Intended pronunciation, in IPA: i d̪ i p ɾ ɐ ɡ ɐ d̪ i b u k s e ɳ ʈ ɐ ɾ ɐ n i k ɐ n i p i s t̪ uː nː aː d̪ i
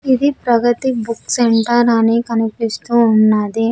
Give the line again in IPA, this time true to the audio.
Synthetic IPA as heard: i d̪ i p ɾ ɐ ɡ ɐ t̪ i b u k s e ɳ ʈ ɐ ɾ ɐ n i k ɐ n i p i s t̪ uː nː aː d̪ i